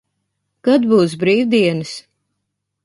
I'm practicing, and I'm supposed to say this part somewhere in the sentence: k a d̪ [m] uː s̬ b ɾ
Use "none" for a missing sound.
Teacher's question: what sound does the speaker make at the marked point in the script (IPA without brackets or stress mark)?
b